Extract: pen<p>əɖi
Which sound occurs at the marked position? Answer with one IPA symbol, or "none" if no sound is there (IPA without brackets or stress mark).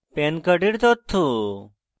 k